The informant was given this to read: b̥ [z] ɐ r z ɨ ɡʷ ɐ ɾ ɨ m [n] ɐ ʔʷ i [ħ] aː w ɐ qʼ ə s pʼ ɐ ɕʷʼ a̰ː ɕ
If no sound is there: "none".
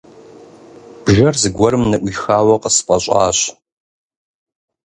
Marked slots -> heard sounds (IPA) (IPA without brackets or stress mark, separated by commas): ʒ, n, x